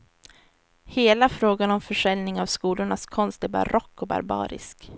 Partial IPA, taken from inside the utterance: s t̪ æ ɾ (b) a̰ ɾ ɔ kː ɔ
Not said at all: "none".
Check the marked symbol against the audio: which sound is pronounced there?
b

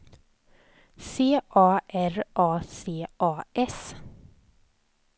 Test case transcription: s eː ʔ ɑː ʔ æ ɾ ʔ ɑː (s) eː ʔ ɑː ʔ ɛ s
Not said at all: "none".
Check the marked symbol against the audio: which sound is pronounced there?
s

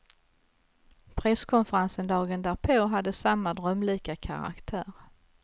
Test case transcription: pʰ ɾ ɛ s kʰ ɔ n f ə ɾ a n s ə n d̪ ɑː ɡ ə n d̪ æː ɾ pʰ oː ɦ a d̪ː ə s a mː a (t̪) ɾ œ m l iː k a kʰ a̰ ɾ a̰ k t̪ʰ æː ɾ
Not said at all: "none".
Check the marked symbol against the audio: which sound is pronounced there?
d̪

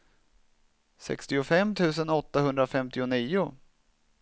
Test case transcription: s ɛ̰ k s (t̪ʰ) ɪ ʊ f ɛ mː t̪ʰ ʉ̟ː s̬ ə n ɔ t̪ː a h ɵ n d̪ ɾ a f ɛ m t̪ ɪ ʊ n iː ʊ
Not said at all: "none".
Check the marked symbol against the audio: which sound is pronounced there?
t̪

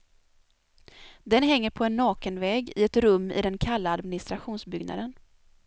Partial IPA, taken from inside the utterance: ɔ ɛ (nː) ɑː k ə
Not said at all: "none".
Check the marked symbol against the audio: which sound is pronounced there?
nː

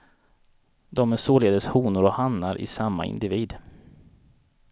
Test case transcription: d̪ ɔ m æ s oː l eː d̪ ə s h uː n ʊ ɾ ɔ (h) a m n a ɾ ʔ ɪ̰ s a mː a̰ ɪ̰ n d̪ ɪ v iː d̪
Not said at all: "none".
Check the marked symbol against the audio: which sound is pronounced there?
h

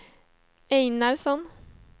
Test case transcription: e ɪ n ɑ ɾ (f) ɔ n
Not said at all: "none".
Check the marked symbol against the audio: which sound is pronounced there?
s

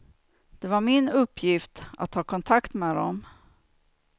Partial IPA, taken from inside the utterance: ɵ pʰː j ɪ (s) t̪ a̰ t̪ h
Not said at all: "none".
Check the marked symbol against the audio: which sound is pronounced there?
f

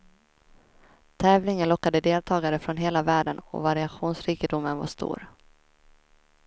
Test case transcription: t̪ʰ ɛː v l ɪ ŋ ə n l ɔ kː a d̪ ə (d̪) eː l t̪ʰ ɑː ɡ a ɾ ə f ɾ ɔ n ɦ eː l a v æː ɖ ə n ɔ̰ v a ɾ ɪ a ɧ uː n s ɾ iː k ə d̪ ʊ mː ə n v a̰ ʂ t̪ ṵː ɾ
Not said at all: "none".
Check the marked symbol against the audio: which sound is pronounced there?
d̪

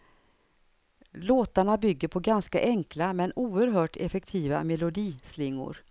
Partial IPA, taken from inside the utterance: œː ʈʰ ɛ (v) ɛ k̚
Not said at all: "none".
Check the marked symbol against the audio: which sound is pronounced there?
f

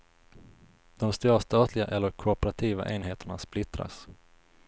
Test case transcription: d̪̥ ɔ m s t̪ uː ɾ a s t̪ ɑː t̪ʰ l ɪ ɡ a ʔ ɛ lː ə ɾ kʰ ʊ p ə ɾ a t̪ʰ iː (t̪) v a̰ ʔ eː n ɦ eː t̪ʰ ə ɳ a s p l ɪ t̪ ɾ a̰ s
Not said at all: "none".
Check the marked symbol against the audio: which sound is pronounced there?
none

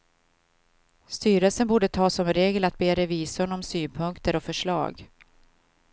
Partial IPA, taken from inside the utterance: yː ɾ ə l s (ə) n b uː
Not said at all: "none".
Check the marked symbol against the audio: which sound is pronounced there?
ə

